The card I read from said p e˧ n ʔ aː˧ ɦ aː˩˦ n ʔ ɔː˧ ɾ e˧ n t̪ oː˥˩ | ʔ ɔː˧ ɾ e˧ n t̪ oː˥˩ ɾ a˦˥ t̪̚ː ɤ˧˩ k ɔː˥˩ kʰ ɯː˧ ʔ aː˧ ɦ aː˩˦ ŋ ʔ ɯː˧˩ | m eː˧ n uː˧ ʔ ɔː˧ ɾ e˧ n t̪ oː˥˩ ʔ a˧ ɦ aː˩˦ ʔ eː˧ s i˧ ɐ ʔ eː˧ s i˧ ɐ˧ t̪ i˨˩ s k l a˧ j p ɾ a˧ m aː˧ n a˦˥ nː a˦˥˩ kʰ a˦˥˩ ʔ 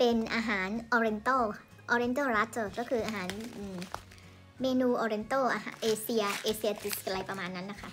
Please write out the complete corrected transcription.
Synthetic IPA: p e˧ n ʔ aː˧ ɦ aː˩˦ n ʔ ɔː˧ ɾ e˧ n t̪ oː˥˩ | ʔ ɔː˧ ɾ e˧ n t̪ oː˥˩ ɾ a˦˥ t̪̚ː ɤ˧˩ k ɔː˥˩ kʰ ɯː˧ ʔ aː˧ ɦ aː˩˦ n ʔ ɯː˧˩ | m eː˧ n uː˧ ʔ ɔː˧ ɾ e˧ n t̪ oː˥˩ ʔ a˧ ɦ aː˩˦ ʔ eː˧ s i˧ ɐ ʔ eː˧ s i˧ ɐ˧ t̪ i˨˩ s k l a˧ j p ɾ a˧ m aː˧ nː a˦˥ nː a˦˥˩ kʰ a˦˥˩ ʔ